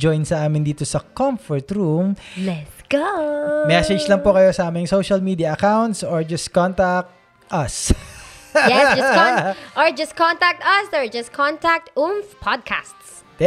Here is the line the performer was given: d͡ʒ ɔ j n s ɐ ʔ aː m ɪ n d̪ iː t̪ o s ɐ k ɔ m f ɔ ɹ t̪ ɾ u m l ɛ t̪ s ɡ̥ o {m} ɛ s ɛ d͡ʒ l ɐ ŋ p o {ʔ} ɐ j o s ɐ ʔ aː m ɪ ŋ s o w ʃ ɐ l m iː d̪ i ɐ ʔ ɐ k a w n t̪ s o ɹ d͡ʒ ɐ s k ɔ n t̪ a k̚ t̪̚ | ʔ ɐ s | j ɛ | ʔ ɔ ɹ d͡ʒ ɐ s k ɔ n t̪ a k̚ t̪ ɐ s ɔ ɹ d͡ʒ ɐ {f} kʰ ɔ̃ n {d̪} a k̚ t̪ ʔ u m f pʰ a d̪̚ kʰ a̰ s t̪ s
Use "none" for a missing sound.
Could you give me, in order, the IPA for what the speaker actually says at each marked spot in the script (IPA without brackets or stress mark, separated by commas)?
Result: m, k, s, t̪